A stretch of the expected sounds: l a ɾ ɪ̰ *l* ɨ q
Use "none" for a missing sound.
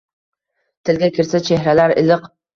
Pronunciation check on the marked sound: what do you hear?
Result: l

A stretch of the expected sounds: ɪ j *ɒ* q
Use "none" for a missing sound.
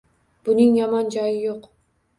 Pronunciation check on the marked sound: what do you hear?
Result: o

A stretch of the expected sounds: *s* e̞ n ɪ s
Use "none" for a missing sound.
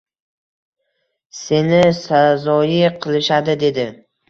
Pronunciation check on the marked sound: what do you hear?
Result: s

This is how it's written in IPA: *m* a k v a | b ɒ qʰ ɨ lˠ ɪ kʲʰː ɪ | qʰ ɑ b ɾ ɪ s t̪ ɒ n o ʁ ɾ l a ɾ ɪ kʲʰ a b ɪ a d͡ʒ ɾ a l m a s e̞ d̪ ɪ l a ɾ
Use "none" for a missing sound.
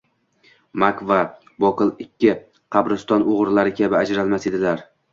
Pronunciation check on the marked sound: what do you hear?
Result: m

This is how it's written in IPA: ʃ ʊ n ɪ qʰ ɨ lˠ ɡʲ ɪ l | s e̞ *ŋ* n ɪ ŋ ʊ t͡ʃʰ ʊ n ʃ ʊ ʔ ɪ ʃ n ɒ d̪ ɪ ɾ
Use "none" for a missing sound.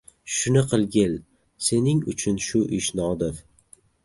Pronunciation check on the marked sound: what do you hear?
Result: none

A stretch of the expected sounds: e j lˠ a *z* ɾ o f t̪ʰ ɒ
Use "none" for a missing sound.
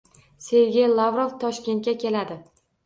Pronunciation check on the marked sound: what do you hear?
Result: v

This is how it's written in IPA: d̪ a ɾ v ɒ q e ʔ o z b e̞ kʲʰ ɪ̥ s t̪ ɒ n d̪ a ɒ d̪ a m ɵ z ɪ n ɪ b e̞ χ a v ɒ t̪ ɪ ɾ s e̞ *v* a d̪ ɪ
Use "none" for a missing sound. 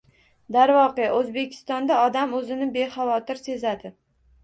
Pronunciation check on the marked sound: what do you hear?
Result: z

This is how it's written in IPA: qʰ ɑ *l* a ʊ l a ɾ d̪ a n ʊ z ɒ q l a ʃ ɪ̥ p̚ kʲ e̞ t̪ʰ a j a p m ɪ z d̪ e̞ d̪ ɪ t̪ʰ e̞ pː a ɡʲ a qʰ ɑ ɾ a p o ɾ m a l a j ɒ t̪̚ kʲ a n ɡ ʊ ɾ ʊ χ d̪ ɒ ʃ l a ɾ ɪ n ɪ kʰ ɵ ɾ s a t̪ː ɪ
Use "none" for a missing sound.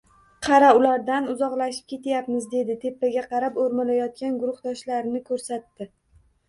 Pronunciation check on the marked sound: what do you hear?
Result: ɾ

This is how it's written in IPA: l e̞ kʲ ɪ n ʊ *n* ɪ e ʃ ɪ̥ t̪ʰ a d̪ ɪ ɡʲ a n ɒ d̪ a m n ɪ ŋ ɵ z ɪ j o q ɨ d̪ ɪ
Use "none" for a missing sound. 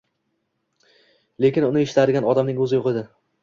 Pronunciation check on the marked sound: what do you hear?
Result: n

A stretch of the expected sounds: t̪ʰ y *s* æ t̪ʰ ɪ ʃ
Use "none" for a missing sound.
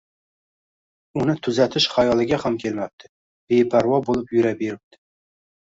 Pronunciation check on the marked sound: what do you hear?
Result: z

